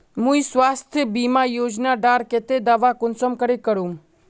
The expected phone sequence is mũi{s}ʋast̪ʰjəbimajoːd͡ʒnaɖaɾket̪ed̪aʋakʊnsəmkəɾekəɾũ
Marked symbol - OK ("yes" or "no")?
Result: yes